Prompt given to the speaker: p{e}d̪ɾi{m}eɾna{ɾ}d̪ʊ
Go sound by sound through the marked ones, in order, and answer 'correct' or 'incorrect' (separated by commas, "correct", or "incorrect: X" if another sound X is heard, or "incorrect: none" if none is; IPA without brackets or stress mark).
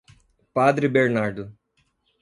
incorrect: a, incorrect: b, correct